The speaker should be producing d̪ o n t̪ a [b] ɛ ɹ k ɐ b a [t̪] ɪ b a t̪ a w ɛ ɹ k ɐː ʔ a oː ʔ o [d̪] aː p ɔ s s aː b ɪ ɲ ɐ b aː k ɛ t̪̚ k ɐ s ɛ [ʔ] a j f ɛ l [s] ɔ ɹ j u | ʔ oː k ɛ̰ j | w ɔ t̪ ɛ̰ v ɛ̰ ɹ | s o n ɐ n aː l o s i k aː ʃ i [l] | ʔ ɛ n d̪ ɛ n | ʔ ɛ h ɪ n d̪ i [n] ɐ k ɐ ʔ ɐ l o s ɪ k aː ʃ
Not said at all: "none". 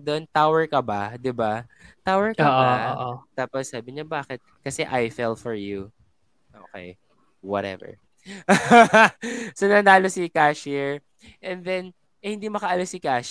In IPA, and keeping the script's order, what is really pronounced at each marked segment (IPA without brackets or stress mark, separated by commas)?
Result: w, d̪, t̪, ʔ, f, ɹ, m